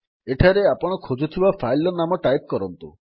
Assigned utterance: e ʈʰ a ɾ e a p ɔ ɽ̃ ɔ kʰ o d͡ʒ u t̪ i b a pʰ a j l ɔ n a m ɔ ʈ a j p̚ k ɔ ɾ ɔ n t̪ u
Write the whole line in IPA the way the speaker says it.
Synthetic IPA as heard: e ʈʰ a ɾ e a p ɔ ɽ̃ ɔ kʰ o d͡ʒ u t̪ʰ i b a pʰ a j l ɔ n a m ɔ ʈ a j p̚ k ɔ ɾ ɔ n t̪ u